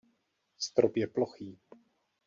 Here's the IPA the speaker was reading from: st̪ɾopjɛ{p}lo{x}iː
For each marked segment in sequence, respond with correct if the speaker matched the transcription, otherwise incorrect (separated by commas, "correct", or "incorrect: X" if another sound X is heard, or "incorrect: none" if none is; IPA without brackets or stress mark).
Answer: correct, correct